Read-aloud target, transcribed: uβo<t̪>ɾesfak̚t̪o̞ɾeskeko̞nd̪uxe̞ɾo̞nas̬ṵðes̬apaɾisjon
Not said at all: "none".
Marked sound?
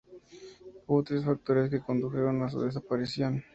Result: t̪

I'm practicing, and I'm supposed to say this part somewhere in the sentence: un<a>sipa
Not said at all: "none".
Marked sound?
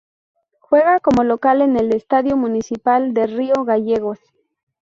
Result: i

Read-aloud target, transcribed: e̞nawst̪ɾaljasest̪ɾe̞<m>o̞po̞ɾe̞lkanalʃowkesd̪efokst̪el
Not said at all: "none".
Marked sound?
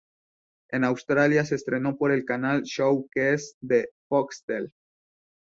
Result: n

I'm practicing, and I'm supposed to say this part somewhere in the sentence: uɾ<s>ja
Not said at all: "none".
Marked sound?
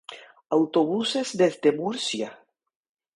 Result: s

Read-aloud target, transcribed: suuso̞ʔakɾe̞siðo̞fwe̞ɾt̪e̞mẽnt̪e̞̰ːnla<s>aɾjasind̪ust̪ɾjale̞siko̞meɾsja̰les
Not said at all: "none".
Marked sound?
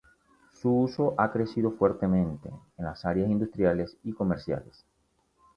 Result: s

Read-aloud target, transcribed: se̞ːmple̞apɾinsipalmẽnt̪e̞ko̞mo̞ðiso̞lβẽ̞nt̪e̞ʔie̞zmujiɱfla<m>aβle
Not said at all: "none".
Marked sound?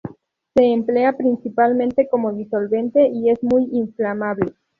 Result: m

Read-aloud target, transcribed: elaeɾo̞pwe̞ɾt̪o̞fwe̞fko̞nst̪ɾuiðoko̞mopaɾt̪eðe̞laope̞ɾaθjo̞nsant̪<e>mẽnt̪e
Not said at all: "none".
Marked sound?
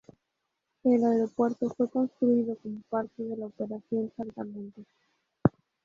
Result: a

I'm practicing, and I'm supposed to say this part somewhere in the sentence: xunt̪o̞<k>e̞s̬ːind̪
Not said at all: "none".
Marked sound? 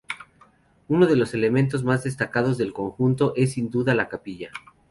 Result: ʔ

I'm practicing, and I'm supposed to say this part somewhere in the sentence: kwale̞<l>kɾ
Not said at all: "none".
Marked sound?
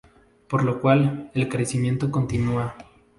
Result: l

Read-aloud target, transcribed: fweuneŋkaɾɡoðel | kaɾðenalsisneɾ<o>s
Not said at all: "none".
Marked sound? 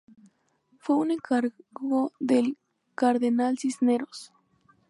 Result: o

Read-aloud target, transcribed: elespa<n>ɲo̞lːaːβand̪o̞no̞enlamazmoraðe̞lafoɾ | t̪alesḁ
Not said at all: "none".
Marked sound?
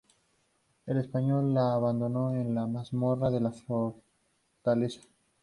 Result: none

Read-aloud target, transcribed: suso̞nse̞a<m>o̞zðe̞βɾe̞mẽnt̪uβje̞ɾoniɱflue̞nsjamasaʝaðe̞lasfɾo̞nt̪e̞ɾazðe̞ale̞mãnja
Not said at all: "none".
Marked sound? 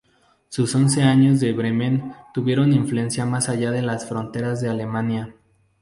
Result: ɲ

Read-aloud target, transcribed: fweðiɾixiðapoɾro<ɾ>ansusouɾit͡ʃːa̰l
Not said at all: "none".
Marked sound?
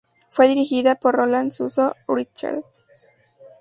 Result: l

